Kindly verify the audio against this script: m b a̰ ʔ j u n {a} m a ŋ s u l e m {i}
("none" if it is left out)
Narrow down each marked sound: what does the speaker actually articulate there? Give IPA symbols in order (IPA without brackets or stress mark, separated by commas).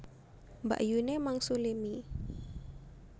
e, i